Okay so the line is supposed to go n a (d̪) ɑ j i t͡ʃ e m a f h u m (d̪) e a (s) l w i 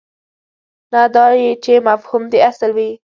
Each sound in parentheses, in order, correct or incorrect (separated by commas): correct, correct, correct